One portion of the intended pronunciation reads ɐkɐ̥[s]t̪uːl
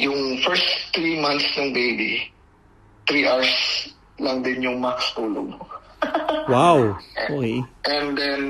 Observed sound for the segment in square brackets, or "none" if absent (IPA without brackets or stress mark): s